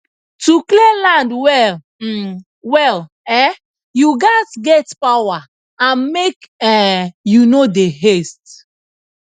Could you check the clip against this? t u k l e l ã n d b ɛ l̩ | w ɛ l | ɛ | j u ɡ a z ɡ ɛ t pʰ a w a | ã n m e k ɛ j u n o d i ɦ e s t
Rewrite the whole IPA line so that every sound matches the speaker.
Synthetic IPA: t u k l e l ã n d w ɛ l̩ | w ɛ l | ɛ | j u ɡ a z ɡ ɛ t p a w a | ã n m e k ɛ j u n o d e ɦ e s t